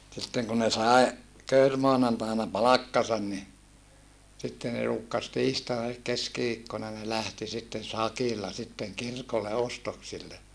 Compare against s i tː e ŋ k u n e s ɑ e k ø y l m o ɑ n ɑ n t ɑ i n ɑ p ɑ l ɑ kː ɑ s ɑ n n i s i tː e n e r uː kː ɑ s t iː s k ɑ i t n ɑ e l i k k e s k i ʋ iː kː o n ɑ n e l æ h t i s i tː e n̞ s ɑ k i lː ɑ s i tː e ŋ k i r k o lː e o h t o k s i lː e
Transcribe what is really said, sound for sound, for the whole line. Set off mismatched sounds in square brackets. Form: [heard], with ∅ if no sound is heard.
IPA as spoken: s i tː e ŋ k u n e s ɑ e k ø y [r] m o ɑ n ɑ n t ɑ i n ɑ p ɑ l ɑ kː ɑ s ɑ n n i s i tː e n e r uː kː ɑ s t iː s [t] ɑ i [∅] n ɑ e l i k k e s k i ʋ iː kː o n ɑ n e l æ h t i s i tː e n̞ s ɑ k i lː ɑ s i tː e ŋ k i r k o lː e o [s] t o k s i lː e

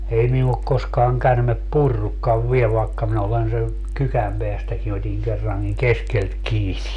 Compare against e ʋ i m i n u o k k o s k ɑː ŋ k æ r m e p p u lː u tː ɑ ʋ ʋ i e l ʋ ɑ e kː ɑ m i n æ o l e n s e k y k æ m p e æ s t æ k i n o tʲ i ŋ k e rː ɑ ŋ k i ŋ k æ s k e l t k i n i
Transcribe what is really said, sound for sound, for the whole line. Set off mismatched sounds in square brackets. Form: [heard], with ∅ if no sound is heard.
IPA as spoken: e [∅] i m i n u o k k o s k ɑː ŋ k æ r m e p p u [rː] u [kː] ɑ ʋ ʋ i e l ʋ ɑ e kː ɑ m i n æ o l e n s e k y k æ m p e æ s t æ k i n o tʲ i ŋ k e rː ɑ ŋ k i ŋ k [e] s k e l t k [iː] n i

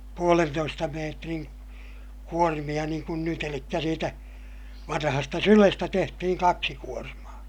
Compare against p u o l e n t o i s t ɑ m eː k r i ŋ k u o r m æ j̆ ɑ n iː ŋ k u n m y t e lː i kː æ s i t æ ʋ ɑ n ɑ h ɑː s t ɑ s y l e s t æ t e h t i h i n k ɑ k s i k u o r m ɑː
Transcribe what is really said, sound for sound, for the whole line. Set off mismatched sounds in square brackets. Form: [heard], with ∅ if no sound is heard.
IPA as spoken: p u o l e n t o i s t ɑ m eː [t] r i ŋ k u o r m [i] j̆ ɑ n iː ŋ k u n [n] y t e [l] i kː æ s [iː] t æ ʋ ɑ n ɑ h [ɑ] s t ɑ s y l e s t æ t e h t i h i [ŋ] k ɑ k s i k u o r m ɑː

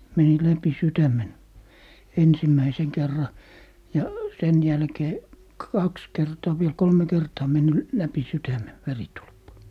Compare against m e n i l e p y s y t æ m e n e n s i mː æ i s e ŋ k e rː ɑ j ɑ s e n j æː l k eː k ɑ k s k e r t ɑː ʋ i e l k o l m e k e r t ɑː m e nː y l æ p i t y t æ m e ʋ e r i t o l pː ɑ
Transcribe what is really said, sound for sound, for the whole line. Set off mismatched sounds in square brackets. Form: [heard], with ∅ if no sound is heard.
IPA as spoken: m e n i l [æ] p [i] s y t æ m e n e n s i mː æ i s e ŋ k e rː ɑ j ɑ s e n j [æ] l k eː k ɑ k s k e r t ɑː ʋ i e l k o l m e k e r t ɑː m e nː y l æ p i [s] y t æ m e ʋ e r i t [u] l pː ɑ

